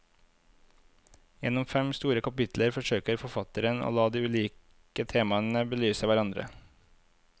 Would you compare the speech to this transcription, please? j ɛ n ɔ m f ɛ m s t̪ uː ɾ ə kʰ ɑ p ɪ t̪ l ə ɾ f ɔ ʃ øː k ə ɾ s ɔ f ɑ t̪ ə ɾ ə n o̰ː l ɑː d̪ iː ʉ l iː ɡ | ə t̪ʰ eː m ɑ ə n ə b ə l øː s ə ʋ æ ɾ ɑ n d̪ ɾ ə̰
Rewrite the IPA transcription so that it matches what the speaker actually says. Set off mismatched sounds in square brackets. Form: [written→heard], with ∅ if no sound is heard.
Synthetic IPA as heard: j ɛ n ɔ m f ɛ m s t̪ uː ɾ ə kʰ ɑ p ɪ t̪ l ə ɾ f ɔ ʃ øː k ə ɾ [s→f] ɔ f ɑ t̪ ə ɾ ə n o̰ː l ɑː d̪ iː ʉ l iː [ɡ→k] | ə t̪ʰ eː m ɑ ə n ə b ə l [øː→yː] s ə ʋ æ ɾ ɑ n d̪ ɾ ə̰